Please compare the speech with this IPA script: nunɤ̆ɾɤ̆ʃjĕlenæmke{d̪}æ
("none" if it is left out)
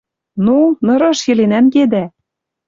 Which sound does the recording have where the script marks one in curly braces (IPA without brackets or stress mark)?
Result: d̪